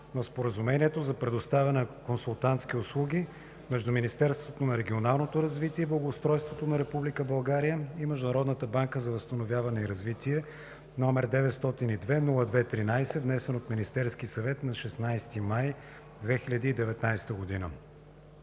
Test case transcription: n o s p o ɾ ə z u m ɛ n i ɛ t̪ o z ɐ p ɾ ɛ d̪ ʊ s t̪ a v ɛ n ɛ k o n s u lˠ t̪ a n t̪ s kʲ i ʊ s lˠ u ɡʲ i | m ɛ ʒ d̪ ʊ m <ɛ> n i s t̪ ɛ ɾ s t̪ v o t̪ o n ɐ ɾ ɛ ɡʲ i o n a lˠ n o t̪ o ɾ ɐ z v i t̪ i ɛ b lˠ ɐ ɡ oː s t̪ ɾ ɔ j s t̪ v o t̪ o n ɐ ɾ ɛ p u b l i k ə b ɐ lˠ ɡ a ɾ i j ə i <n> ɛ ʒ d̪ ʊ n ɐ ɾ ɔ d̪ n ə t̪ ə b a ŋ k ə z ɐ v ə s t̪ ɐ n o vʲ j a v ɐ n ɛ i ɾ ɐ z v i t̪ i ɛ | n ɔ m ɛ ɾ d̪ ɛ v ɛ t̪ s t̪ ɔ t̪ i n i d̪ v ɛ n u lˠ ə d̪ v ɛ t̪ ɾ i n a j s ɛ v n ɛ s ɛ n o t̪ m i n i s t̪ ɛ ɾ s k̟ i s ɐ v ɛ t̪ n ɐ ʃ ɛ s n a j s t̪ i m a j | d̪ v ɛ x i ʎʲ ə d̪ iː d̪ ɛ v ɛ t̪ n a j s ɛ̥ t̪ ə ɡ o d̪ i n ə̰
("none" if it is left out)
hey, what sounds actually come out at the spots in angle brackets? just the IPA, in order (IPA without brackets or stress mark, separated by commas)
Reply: i, m